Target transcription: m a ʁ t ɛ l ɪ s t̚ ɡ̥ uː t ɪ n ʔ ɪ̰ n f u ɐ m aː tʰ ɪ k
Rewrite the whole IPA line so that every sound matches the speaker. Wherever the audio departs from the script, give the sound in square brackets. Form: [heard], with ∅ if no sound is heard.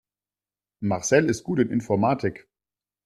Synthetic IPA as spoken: m a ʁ [s] ɛ l ɪ s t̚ ɡ̥ uː t ɪ n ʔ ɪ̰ n f [ɔ] ɐ m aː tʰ ɪ k